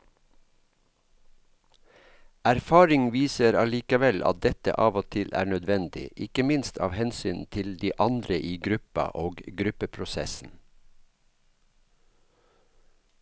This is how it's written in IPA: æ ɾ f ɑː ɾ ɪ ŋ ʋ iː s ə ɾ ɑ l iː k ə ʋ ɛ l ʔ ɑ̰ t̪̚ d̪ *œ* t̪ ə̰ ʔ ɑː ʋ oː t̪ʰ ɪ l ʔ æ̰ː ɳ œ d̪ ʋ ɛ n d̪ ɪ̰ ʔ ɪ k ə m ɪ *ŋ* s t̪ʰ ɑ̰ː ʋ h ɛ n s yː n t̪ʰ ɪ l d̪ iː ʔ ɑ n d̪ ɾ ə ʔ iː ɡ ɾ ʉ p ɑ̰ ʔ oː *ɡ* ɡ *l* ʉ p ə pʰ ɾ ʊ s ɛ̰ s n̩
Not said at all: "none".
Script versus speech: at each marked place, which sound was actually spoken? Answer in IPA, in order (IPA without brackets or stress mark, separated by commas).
ɛ, n, ɡ, ɾ